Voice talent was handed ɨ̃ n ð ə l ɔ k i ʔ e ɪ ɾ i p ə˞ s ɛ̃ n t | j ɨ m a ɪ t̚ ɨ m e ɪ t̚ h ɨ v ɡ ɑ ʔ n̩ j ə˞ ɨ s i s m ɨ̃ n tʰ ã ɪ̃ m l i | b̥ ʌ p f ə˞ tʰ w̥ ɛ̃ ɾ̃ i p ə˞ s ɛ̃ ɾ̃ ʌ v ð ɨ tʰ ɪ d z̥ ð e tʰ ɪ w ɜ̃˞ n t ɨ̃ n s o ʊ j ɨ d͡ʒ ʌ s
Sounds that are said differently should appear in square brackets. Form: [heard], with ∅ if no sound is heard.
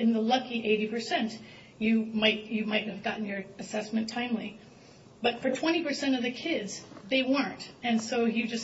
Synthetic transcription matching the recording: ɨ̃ n ð ə l [ʌ] k i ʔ e ɪ ɾ i p ə˞ s ɛ̃ n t | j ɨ m a ɪ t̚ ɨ m [a] ɪ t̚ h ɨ v ɡ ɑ ʔ n̩ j ə˞ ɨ s [ɛ] s m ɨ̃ n tʰ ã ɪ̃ m l i | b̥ ʌ [t] f ə˞ tʰ w̥ ɛ̃ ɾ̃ i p ə˞ s ɛ̃ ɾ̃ ʌ v ð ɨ [kʰ] ɪ d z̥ ð e [∅] ɪ w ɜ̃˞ n t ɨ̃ n s o ʊ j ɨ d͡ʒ ʌ s